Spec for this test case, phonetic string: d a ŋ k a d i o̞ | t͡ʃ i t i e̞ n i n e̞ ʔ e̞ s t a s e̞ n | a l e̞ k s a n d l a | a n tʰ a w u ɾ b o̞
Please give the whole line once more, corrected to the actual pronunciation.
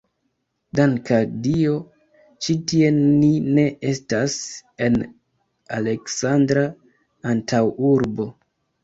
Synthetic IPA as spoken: d a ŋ k a d i o̞ | t͡ʃ i t i e̞ n i n e̞ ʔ e̞ s t a s e̞ n | a l e̞ k s a n d ɾ a | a n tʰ a w u ɾ b o̞

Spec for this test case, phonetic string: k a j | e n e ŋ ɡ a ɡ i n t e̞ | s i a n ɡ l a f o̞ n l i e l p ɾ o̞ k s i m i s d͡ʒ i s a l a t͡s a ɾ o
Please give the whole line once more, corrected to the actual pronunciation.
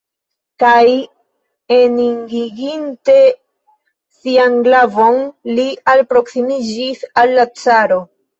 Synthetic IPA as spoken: k a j | e n i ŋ ɡ i ɡ i n t e̞ | s i a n ɡ l a v o̞ n l i a l p ɾ o̞ k s i m i d͡ʒ i s a lː a t͡s a ɾ o

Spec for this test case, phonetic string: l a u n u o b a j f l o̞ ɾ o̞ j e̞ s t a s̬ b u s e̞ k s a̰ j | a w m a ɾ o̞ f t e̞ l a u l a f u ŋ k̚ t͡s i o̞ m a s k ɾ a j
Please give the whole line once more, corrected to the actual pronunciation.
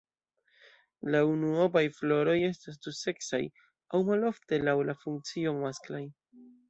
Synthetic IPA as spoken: l a u n u o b a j f l o̞ ɾ o̞ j e̞ s t a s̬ d u s e̞ k s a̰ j | a w m a l o̞ f t e̞ l a w l a f u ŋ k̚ t͡s i o̞ m a s k l a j

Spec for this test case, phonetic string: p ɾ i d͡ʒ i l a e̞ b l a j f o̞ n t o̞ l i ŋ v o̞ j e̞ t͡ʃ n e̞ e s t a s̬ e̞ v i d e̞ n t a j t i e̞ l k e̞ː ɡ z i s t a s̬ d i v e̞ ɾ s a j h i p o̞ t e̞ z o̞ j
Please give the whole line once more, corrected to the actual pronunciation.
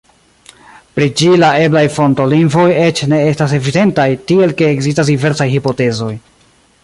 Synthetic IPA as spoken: p ɾ i d͡ʒ i l a e̞ b l a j f o̞ n t o̞ l i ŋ v o̞ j e̞ t͡ʃ n e̞ e s t a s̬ e̞ v i d e̞ n t a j t i e̞ l k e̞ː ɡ z i s t a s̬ d i v e̞ ɾ s a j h i p o̞ t e̞ z o̞ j

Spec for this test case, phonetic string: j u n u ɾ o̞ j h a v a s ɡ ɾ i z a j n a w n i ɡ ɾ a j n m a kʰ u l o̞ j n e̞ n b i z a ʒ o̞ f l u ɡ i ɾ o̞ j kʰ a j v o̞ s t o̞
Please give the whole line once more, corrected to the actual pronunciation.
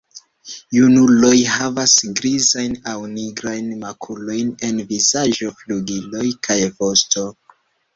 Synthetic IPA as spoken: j u n u l o̞ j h a v a s ɡ ɾ i z a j n a w n i ɡ ɾ a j n m a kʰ u l o̞ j n e̞ n v i z a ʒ o̞ f l u ɡ i l o̞ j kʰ a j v o̞ s t o̞

